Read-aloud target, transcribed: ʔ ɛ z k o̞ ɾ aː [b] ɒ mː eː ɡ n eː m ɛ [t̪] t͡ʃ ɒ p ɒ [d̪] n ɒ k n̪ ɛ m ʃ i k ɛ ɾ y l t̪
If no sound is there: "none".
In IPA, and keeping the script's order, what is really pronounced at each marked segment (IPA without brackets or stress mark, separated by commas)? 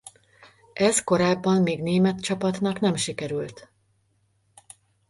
bː, t̪, t̪